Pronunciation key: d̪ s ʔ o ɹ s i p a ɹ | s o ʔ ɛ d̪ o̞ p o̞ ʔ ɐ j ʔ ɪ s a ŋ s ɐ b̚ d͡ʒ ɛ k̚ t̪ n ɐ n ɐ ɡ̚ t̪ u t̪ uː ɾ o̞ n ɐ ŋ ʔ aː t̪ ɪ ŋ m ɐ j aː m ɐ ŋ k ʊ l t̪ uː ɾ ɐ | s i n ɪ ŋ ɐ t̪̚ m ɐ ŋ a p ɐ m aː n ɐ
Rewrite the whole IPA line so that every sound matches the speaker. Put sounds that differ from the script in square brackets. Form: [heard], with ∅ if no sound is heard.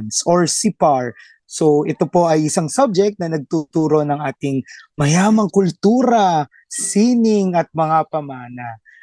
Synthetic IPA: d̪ s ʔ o ɹ s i p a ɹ | s o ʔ ɛ [t̪] o̞ p o̞ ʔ ɐ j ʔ ɪ s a ŋ s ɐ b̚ d͡ʒ ɛ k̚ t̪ n ɐ n ɐ ɡ̚ t̪ u t̪ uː ɾ o̞ n ɐ ŋ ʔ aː t̪ ɪ ŋ m ɐ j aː m ɐ ŋ k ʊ l t̪ uː ɾ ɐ | s i n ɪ ŋ ɐ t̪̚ m ɐ ŋ a p ɐ m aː n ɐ